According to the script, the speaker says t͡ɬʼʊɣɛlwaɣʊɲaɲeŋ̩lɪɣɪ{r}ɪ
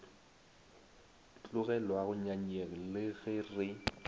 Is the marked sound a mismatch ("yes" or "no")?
no